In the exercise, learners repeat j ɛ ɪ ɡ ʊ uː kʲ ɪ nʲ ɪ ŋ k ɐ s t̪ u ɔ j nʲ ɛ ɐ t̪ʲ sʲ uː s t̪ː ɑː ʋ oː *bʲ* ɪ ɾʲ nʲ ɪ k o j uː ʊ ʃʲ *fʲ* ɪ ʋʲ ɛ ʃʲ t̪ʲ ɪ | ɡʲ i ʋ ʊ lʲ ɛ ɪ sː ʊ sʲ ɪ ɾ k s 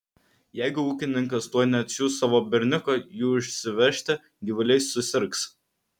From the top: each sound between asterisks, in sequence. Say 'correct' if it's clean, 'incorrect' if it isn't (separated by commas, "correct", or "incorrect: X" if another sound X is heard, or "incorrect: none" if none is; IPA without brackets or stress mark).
correct, incorrect: sʲ